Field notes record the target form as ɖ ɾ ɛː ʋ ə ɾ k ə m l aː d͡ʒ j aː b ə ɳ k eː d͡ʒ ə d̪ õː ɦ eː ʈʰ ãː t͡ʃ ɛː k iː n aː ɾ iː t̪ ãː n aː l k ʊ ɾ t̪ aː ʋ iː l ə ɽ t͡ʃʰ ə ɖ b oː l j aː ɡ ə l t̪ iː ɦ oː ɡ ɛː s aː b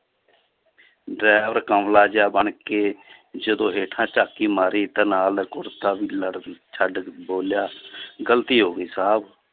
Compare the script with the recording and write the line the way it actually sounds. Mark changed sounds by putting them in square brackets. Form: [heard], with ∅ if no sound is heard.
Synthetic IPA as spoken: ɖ ɾ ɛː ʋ ə ɾ k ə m l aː d͡ʒ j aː b ə ɳ k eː d͡ʒ ə d̪ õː ɦ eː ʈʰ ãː t͡ʃ [aː] k iː [m] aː ɾ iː t̪ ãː n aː l k ʊ ɾ t̪ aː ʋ iː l ə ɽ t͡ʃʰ ə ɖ b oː l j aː ɡ ə l t̪ iː ɦ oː ɡ [iː] s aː b